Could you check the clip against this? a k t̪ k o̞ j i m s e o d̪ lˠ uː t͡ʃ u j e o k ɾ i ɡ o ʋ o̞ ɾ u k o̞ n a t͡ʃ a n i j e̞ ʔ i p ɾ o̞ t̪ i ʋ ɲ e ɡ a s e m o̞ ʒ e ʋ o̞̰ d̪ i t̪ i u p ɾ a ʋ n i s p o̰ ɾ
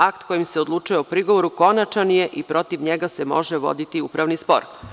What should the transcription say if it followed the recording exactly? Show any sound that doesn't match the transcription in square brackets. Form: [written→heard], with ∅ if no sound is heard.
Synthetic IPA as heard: a k t̪ k o̞ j i m s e o d̪ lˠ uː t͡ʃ u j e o [k→p] ɾ i ɡ o ʋ o̞ ɾ u k o̞ n a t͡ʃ a n i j e̞ ʔ i p ɾ o̞ t̪ i ʋ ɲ e ɡ a s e m o̞ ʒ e ʋ o̞̰ d̪ i t̪ i u p ɾ a ʋ n i s p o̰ ɾ